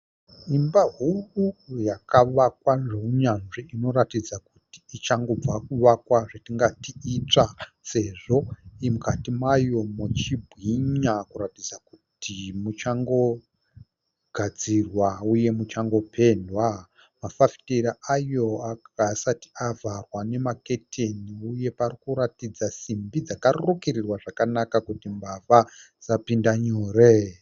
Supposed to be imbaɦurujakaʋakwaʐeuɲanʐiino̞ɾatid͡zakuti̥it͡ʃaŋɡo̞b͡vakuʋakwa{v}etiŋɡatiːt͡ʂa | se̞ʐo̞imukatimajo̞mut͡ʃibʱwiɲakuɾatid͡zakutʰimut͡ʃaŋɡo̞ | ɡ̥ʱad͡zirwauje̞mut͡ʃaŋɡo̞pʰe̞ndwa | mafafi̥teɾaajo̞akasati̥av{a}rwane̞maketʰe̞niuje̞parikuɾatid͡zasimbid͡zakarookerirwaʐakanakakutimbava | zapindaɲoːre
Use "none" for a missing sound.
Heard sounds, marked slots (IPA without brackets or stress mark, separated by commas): ʐ, a